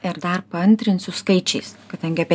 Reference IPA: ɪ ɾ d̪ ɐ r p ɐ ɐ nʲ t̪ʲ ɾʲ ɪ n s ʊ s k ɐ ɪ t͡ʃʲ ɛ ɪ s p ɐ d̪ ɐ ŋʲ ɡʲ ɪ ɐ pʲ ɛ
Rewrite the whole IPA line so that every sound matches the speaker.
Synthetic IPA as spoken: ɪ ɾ d̪ ɐ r p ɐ ɐ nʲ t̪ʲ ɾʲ ɪ n s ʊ s k ɐ ɪ t͡ʃʲ ɛ ɪ s k ɐ d̪ ɐ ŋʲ ɡʲ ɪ ɐ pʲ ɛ